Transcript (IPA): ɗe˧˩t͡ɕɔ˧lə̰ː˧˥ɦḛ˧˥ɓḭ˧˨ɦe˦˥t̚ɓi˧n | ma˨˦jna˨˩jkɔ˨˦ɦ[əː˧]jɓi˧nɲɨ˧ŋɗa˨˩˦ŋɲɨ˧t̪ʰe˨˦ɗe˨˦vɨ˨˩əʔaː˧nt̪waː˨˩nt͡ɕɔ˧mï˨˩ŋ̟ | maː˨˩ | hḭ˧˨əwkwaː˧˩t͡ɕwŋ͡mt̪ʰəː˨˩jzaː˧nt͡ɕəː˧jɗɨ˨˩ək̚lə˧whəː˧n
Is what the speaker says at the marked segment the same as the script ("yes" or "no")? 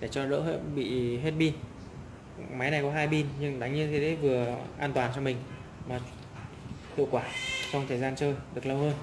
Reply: no